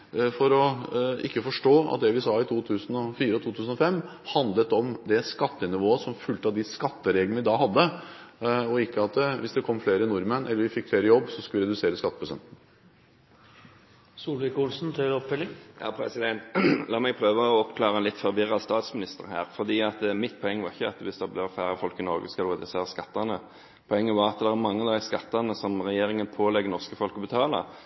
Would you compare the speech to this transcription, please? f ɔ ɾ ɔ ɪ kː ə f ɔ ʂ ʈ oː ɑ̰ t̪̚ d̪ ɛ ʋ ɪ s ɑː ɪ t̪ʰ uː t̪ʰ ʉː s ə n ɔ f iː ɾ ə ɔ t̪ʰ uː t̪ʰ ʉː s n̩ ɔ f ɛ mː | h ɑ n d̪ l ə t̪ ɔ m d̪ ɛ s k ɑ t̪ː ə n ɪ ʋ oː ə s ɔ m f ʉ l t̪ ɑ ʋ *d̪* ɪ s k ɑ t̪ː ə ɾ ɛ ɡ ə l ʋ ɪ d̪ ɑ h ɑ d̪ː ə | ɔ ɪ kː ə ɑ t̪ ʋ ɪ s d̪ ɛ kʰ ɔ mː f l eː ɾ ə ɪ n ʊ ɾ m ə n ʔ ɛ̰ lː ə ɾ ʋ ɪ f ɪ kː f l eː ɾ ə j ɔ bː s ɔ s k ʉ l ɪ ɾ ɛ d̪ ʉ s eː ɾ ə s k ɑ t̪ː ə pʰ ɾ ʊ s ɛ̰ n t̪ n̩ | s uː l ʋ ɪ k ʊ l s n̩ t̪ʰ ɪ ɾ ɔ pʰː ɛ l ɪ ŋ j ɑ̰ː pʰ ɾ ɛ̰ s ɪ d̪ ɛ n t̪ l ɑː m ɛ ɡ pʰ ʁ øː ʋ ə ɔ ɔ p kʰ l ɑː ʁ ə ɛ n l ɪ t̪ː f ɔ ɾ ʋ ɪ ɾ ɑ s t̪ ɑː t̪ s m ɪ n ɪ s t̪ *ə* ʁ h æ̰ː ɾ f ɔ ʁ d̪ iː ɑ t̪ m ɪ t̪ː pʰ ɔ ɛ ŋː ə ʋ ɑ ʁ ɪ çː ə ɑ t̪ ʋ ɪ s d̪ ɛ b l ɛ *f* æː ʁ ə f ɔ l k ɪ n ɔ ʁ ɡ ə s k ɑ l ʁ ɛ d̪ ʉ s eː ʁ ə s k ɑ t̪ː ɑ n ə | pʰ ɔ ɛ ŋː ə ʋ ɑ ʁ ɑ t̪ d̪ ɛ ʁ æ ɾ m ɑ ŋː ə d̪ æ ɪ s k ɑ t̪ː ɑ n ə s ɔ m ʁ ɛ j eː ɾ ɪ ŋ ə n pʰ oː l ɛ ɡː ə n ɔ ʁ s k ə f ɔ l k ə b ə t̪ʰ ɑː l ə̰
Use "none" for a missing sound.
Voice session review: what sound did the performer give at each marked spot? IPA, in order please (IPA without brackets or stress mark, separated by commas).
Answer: d̪, ə, f